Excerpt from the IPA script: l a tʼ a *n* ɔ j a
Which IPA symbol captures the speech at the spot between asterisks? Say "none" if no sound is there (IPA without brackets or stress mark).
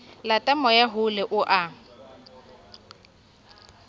m